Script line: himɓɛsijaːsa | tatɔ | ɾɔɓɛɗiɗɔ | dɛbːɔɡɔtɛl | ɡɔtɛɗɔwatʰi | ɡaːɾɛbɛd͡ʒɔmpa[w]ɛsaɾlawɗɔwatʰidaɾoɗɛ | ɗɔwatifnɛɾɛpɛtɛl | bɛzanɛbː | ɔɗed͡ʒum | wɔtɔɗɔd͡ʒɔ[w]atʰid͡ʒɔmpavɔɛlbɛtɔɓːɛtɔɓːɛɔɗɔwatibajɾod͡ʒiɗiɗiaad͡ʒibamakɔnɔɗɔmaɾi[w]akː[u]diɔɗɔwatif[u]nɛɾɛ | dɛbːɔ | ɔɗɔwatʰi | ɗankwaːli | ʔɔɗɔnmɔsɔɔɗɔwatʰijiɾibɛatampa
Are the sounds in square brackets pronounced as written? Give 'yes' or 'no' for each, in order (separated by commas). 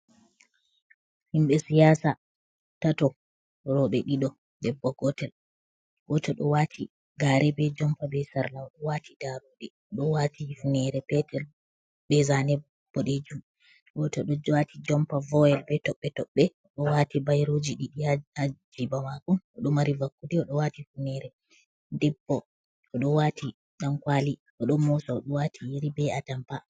no, yes, no, yes, yes